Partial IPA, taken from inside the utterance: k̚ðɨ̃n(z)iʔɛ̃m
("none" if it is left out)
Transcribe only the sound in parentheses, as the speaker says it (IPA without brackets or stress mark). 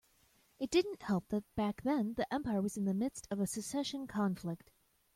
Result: ð